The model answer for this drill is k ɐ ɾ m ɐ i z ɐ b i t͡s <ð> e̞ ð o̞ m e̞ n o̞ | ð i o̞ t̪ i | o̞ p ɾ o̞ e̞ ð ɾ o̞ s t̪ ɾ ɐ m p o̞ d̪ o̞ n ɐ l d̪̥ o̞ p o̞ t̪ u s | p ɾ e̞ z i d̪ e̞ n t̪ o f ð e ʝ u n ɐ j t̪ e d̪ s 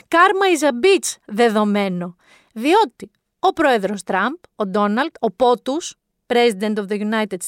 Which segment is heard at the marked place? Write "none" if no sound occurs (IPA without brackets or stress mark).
ð